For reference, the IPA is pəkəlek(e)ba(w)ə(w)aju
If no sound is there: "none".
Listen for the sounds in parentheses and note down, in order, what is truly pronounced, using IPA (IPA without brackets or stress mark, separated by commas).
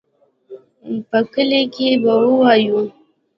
e, w, w